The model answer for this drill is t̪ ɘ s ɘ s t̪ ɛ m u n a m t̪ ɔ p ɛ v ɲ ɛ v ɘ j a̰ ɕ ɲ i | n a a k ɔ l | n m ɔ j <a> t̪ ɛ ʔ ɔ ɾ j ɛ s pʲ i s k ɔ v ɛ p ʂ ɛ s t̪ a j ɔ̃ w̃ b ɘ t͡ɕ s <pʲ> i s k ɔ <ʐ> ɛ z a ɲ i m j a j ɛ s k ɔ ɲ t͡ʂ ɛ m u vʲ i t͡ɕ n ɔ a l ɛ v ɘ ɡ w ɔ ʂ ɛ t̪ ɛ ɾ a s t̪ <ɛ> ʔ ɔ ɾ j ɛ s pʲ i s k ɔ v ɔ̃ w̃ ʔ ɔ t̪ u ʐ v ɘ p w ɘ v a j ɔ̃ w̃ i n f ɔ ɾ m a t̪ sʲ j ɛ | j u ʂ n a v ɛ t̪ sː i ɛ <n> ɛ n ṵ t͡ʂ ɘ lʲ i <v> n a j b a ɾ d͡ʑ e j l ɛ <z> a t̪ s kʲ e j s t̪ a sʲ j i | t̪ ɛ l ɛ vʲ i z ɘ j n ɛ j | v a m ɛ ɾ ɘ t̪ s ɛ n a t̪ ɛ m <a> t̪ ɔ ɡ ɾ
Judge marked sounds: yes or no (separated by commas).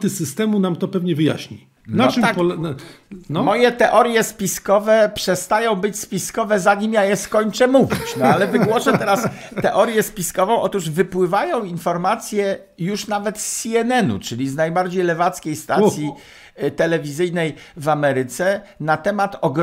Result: no, yes, no, yes, yes, no, no, yes